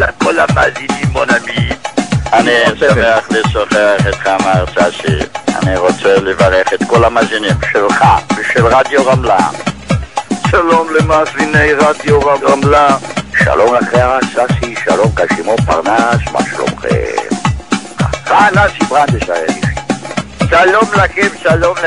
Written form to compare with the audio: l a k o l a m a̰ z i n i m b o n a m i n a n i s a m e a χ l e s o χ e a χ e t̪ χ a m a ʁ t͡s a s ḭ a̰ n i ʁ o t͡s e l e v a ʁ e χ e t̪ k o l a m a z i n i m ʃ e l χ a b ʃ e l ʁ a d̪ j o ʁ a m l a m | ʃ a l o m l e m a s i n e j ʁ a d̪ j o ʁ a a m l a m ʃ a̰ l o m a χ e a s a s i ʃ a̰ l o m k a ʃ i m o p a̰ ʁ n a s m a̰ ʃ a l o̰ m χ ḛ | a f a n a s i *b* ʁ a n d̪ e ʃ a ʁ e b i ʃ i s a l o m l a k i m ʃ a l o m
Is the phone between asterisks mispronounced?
no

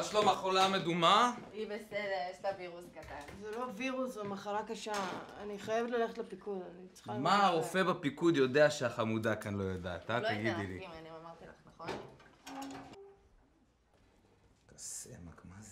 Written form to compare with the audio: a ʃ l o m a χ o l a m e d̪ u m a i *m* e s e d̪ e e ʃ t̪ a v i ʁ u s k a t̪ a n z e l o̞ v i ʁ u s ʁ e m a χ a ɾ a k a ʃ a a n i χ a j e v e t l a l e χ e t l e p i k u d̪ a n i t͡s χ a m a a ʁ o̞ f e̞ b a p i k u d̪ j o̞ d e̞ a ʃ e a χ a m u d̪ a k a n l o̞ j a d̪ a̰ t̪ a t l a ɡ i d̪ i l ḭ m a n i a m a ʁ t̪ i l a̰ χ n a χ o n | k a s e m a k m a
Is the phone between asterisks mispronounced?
yes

